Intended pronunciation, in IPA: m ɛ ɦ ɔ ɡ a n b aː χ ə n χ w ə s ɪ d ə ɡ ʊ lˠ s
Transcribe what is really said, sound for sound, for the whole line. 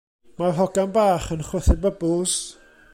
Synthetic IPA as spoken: m a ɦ ɔ ɡ a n b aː χ ə n χ w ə θ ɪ b ə b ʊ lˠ s